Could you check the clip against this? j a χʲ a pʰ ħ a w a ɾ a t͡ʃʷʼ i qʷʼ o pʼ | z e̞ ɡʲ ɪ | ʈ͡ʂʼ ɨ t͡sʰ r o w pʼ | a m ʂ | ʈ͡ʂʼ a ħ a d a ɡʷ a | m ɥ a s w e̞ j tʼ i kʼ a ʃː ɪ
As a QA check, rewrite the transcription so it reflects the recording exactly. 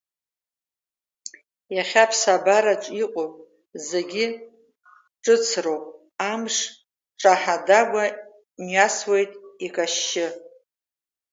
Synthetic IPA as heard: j a χʲ a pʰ s a b a ɾ a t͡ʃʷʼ i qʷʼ o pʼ | z e̞ ɡʲ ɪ | ʈ͡ʂʼ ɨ t͡sʰ r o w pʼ | a m ʂ | ʈ͡ʂʼ a ħ a d a ɡʷ a | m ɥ a s w e̞ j tʼ i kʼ a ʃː ɪ